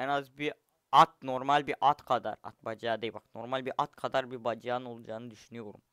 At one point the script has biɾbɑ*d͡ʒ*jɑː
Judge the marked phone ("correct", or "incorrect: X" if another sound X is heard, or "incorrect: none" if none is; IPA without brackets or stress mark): correct